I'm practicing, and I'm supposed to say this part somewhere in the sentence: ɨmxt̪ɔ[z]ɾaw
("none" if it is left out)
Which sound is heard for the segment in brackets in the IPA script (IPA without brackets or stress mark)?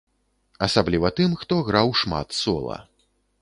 ɣ